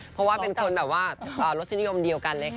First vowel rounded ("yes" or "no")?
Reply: yes